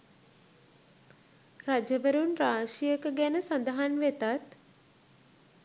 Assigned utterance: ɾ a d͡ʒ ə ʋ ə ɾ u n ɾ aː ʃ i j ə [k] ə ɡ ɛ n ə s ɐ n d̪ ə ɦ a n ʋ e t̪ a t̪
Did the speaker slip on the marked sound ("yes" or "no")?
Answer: no